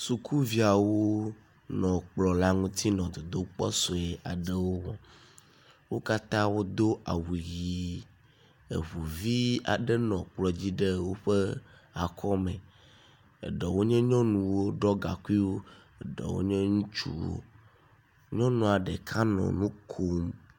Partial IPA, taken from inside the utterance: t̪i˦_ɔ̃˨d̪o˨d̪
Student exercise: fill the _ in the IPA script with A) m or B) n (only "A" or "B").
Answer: B